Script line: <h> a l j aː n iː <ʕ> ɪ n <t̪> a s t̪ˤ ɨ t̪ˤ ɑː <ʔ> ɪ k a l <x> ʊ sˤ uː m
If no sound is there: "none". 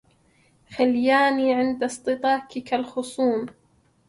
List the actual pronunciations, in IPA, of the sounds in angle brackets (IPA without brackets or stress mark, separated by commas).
x, ʕ, d̪, k, x